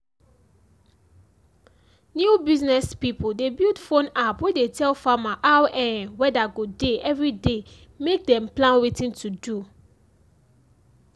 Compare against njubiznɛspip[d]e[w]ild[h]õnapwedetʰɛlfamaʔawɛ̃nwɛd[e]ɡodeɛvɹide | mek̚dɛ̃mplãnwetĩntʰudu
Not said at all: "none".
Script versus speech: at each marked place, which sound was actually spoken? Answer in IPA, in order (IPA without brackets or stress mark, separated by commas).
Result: d, b, f, a